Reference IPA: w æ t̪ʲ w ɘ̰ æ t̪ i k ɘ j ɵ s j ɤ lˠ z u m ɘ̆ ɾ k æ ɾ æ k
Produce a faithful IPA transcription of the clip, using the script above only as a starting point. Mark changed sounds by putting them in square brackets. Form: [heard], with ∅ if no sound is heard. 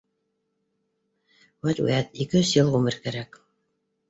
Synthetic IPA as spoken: w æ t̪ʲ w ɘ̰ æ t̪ i k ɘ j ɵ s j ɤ lˠ [ʁ] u m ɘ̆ ɾ k æ ɾ æ k